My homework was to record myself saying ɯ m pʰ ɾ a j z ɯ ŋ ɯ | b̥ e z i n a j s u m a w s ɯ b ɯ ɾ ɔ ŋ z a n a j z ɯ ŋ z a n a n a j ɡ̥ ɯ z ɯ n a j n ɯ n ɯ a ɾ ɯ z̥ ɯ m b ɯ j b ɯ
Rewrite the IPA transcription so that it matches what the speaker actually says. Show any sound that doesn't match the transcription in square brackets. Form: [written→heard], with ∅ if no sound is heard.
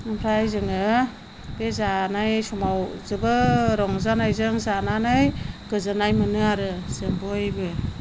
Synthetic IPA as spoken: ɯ m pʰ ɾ a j z ɯ ŋ ɯ | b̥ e z [i→a] n a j s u m a w [s→z] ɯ b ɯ ɾ ɔ ŋ z a n a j z ɯ ŋ z a n a n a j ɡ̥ ɯ z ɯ n a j [n→m] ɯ n ɯ a ɾ ɯ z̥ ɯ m b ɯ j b ɯ

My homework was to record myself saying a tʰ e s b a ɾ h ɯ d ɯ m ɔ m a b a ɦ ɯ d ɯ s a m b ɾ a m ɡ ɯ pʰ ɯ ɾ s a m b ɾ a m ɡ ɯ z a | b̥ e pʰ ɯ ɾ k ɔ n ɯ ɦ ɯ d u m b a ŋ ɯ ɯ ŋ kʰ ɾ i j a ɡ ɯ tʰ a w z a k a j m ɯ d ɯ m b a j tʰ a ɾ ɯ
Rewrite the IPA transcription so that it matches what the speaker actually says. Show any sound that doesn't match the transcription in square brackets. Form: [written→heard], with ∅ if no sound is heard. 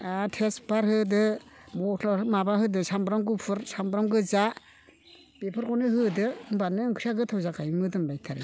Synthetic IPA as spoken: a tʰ e s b a ɾ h ɯ d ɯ m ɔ m a b a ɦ ɯ d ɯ s a m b ɾ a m ɡ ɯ pʰ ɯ ɾ s a m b ɾ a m ɡ ɯ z a | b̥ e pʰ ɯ ɾ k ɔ n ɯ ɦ ɯ d [u→ɯ] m b a [ŋ→n] ɯ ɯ ŋ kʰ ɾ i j a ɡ ɯ tʰ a w z a k a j m ɯ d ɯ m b a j tʰ a ɾ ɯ

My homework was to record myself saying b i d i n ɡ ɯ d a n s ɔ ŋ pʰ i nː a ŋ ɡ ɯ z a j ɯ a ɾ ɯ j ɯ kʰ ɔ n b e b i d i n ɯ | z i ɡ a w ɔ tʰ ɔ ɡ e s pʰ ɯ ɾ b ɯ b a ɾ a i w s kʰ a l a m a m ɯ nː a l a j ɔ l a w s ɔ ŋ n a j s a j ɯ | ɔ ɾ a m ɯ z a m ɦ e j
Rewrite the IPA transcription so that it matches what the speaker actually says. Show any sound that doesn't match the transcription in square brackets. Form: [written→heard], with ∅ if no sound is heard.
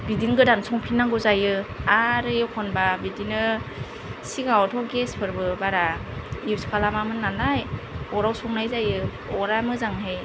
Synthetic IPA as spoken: b i d i n ɡ ɯ d a n s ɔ ŋ pʰ i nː a ŋ ɡ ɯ z a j ɯ a ɾ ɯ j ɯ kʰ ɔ n b [e→a] b i d i n ɯ | [z→s] i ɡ a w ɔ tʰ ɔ ɡ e s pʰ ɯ ɾ b ɯ b a ɾ a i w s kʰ a l a m a m ɯ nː a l a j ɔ [l→ɾ] a w s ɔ ŋ n a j [s→z] a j ɯ | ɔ ɾ a m ɯ z a [m→ŋ] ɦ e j

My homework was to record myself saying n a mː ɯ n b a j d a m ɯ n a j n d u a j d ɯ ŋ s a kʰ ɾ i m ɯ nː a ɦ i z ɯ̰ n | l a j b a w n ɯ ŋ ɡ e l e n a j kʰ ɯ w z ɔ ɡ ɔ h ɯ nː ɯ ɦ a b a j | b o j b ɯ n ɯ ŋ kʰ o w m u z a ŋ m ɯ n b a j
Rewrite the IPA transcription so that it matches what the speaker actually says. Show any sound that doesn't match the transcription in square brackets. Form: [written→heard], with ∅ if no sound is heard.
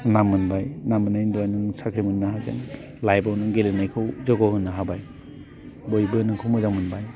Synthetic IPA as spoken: n a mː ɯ n b a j [d→n] a m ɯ n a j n d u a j [d→n] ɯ ŋ s a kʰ ɾ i m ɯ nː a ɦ [i→a] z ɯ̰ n | l a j b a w n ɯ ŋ ɡ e l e n a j kʰ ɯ w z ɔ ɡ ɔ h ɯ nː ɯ ɦ a b a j | b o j b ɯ n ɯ ŋ kʰ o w m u z a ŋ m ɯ n b a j

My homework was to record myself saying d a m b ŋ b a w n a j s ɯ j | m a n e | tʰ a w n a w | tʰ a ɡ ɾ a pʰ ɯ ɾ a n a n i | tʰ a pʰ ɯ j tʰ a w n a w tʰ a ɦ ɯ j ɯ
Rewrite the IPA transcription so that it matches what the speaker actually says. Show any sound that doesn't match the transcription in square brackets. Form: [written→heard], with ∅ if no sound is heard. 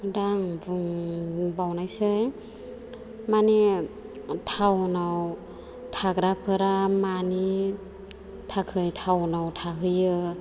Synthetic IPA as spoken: d a [m→ŋ] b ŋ b a w n a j s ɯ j | m a n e | tʰ a w n a w | tʰ a ɡ ɾ a pʰ ɯ ɾ a [n→m] a n i | tʰ a [pʰ→kʰ] ɯ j tʰ a w n a w tʰ a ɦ ɯ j ɯ

